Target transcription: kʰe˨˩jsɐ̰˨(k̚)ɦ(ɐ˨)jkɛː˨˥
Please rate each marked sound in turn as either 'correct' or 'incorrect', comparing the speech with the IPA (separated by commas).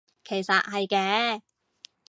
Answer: incorrect, correct